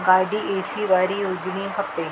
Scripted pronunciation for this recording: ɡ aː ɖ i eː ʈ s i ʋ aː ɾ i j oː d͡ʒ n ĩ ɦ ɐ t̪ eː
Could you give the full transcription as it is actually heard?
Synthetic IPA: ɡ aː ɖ i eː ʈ s i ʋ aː ɾ i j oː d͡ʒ n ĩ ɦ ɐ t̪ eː